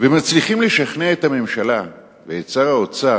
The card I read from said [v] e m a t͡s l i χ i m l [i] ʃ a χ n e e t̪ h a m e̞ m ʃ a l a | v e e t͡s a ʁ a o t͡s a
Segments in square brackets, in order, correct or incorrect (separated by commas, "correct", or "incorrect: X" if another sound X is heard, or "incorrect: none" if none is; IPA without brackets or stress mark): correct, incorrect: e